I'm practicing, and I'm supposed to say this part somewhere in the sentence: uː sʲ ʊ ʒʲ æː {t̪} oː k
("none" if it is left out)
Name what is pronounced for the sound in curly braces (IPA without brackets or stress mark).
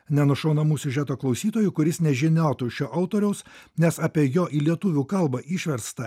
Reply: t̪